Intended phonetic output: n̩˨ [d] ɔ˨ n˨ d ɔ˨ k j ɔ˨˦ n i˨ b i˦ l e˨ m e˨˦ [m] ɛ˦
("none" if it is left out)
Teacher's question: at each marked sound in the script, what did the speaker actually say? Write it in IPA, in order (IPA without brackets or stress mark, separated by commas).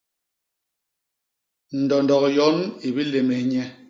d, ɲ